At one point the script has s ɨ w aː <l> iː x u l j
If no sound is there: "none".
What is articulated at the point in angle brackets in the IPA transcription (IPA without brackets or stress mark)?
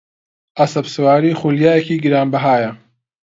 ɾ